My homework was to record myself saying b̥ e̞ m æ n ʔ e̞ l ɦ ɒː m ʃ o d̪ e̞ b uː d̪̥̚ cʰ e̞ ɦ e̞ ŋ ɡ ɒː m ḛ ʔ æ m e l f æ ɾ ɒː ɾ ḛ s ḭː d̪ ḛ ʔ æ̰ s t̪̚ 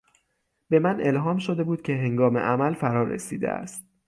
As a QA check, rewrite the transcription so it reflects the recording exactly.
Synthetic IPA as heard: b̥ e̞ m æ n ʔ e̞ l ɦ ɒː m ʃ o d̪ e̞ b uː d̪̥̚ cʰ e̞ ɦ e̞ ŋ ɡ ɒː m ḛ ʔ æ m æ l f æ ɾ ɒː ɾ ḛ s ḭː d̪ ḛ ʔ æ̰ s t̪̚